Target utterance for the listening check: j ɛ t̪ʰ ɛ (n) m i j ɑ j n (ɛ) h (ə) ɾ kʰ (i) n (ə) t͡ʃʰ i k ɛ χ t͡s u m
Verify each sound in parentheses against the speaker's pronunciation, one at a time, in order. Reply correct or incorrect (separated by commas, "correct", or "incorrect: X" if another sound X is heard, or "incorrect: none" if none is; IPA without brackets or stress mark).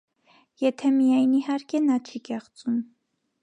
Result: incorrect: none, incorrect: i, incorrect: ɑ, incorrect: ɛ, incorrect: ɑ